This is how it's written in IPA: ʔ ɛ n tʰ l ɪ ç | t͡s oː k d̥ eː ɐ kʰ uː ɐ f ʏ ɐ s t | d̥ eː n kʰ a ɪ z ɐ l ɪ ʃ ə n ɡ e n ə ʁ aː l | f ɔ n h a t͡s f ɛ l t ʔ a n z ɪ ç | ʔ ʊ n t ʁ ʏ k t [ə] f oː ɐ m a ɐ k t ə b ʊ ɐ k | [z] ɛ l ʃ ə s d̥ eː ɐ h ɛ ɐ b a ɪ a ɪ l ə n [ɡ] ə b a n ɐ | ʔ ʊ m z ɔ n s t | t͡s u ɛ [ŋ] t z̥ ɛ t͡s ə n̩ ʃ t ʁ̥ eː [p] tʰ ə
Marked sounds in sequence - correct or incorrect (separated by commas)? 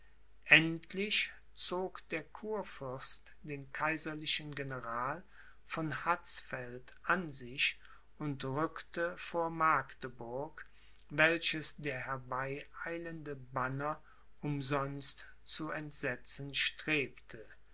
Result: correct, incorrect, incorrect, incorrect, correct